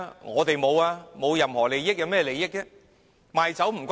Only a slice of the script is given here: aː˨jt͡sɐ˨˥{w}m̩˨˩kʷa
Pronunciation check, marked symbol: correct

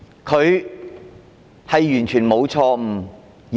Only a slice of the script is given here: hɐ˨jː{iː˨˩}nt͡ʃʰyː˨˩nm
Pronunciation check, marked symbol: incorrect: yː˨˩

